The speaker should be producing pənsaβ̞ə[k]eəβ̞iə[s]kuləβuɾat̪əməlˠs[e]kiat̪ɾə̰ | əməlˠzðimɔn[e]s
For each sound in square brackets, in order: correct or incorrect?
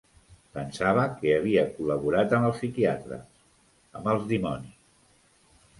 correct, incorrect: none, incorrect: i, incorrect: i

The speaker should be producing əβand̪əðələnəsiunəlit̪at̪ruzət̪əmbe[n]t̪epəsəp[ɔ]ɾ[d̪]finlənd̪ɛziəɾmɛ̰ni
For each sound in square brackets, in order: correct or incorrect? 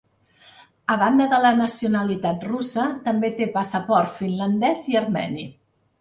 incorrect: none, correct, incorrect: t̪

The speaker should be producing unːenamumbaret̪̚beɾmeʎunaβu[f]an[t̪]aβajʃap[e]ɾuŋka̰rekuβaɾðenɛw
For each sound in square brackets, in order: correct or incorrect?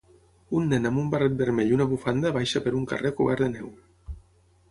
correct, incorrect: d̪, correct

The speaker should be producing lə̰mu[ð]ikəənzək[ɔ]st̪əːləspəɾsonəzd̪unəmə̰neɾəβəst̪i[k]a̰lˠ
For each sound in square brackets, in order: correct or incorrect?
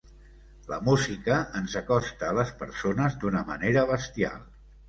incorrect: z, correct, incorrect: none

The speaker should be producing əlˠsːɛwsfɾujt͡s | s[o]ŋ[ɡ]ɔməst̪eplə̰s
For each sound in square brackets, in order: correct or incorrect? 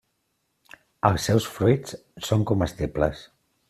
correct, incorrect: k

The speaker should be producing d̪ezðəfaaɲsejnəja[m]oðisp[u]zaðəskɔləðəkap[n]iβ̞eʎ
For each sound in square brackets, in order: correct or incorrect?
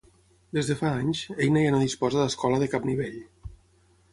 incorrect: n, incorrect: ɔ, correct

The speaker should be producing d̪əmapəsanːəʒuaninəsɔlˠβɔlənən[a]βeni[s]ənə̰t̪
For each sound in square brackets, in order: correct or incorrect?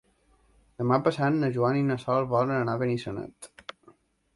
correct, correct

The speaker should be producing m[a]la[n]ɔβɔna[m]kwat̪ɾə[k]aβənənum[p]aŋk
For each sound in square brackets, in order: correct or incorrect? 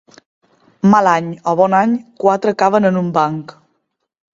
correct, incorrect: ɲ, incorrect: ɲ, correct, incorrect: b

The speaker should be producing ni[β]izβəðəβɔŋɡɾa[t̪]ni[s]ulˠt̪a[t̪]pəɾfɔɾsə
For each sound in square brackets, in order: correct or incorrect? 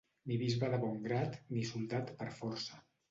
correct, correct, correct, correct

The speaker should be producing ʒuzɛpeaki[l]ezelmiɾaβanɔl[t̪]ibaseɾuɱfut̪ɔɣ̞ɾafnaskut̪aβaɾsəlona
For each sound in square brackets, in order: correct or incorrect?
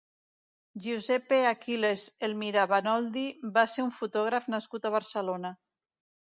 correct, incorrect: d̪

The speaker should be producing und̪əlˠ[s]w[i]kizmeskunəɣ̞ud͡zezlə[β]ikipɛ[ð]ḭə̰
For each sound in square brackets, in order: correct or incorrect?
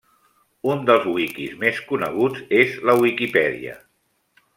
incorrect: z, correct, incorrect: w, correct

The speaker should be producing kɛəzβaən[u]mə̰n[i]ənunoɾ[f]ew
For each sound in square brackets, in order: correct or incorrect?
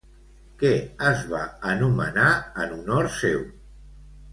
correct, incorrect: a, incorrect: s

